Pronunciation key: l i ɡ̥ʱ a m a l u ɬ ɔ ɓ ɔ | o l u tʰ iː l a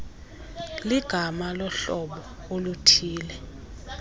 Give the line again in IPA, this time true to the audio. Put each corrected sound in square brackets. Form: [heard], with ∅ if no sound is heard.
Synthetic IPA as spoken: l i ɡ̥ʱ a m a l [ɔ] ɬ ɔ ɓ ɔ | o l u tʰ iː l [ɛ]